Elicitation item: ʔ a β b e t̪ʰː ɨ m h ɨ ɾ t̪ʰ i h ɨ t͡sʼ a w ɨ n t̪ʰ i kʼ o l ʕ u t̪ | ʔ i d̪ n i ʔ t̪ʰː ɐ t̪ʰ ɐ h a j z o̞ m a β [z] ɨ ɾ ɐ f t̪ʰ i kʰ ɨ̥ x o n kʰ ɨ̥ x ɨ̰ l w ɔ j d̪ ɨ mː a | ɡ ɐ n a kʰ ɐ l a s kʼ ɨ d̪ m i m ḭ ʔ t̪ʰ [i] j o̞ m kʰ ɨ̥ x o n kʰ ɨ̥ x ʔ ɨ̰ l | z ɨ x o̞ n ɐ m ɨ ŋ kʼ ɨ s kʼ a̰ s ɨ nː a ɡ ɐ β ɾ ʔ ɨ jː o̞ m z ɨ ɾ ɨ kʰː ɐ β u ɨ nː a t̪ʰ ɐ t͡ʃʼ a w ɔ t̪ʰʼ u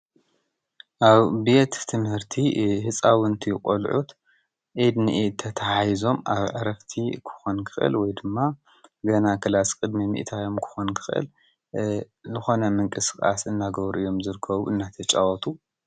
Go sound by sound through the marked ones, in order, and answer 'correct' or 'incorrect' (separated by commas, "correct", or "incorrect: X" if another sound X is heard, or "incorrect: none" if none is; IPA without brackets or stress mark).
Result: incorrect: ʕ, incorrect: a